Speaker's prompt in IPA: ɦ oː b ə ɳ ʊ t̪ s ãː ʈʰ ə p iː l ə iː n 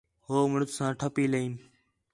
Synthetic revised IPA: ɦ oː m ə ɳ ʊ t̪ s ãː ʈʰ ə p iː l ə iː n